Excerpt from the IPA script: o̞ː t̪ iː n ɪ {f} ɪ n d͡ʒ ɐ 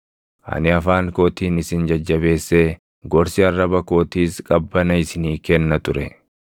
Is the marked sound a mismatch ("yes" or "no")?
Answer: yes